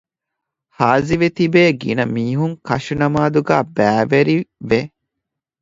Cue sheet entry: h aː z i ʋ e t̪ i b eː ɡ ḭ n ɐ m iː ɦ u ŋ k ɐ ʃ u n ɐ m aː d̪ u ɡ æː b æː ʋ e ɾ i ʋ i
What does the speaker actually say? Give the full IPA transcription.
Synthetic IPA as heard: h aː z i ʋ e t̪ i b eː ɡ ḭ n ɐ m iː ɦ u ŋ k ɐ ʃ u n ɐ m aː d̪ u ɡ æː b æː ʋ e ɾ i ʋ e